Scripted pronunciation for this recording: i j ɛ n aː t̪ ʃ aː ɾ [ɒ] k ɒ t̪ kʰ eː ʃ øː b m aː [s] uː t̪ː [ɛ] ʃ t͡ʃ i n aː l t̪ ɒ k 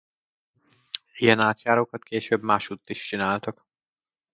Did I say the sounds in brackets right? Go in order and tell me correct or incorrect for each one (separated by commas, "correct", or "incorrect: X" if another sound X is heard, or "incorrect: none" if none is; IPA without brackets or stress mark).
incorrect: o, incorrect: ʃ, incorrect: i